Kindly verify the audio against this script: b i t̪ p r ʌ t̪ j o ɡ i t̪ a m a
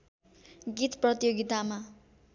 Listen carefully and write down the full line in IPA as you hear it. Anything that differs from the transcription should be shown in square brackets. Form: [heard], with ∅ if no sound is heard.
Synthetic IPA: [ɡ] i t̪ p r ʌ t̪ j o ɡ i t̪ a m a